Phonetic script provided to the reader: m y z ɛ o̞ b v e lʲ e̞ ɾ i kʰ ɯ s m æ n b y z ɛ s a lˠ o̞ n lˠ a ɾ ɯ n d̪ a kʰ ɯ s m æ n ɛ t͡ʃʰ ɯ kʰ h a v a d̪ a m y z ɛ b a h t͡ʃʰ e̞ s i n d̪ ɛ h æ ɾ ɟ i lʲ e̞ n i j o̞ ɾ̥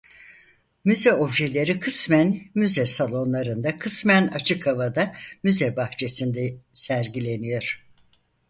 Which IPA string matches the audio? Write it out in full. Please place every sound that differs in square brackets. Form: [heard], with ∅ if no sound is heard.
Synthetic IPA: m y z ɛ o̞ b [ʒ] e lʲ e̞ ɾ i kʰ ɯ s m æ n [m] y z ɛ s a lˠ o̞ n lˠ a ɾ ɯ n d̪ a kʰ ɯ s m æ n [a] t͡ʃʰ ɯ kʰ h a v a d̪ a m y z ɛ b a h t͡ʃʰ e̞ s i n d̪ ɛ [s] æ ɾ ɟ i lʲ e̞ n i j o̞ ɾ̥